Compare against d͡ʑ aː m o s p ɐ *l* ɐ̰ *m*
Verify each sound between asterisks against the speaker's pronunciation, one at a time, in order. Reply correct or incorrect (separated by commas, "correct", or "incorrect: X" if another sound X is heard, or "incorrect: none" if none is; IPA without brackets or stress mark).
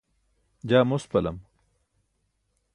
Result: correct, correct